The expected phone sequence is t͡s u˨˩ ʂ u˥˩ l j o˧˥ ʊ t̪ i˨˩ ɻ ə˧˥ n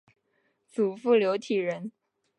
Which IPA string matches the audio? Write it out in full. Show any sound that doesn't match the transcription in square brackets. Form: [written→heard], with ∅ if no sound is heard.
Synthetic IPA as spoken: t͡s u˨˩ [ʂ→f] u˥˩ l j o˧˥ ʊ [t̪→t̪ʰ] i˨˩ ɻ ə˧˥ n